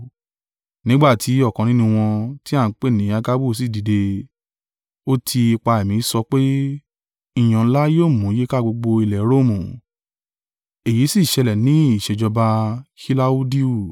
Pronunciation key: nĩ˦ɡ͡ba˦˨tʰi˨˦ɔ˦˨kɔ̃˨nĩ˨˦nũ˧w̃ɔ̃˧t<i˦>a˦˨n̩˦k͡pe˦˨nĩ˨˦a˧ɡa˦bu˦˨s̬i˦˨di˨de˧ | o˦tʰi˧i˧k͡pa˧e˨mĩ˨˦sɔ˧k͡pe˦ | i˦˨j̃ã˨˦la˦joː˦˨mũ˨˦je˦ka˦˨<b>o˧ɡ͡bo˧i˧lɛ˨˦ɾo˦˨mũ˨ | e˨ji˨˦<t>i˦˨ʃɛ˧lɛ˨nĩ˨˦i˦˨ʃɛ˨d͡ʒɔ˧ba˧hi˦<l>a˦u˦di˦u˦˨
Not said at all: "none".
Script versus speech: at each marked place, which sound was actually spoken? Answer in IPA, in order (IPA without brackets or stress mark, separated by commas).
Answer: i˦, ɡ͡b, s, l